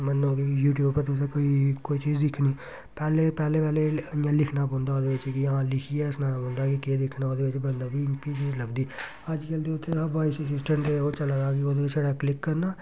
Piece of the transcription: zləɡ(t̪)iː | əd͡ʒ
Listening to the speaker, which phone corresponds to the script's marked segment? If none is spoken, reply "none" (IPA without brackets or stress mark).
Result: d̪